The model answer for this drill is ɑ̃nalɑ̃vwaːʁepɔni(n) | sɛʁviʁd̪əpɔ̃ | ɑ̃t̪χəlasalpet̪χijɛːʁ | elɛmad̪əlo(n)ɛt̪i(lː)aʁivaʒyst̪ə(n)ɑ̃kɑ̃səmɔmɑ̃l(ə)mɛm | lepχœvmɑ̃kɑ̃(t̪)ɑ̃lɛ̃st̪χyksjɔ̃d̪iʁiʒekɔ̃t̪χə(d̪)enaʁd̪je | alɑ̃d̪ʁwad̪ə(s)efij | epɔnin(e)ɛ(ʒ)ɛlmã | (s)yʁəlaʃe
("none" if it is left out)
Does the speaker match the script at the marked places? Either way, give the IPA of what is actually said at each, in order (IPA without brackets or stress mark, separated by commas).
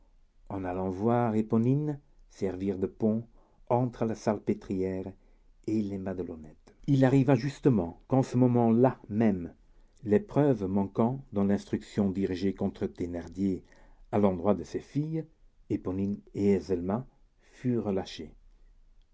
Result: n, n, l, m, a, d̪, t̪, s, e, z, f